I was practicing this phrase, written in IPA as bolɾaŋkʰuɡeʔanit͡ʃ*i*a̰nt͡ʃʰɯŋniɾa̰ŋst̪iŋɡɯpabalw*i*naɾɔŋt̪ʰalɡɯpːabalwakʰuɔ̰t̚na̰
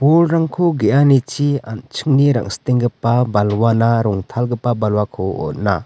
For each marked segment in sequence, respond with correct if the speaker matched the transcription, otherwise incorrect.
correct, incorrect: a

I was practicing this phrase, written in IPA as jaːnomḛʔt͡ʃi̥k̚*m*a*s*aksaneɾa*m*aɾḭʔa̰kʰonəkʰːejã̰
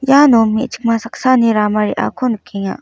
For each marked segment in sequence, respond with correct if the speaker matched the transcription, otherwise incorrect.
correct, correct, correct

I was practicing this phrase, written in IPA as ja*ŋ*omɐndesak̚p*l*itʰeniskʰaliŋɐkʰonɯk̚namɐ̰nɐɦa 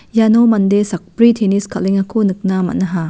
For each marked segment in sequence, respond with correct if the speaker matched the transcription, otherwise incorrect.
incorrect: n, incorrect: ɾ

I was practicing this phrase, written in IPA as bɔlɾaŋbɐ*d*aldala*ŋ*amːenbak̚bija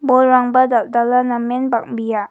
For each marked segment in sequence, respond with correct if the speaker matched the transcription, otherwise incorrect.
correct, incorrect: n

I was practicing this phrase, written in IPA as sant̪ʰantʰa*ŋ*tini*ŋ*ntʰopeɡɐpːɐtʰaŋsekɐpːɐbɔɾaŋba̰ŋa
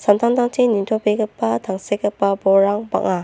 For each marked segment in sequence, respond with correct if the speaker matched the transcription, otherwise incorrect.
correct, incorrect: none

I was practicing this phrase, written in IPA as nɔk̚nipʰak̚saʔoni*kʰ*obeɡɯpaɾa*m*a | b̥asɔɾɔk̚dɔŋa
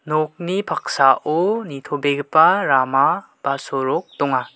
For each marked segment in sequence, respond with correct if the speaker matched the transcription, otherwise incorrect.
incorrect: tʰ, correct

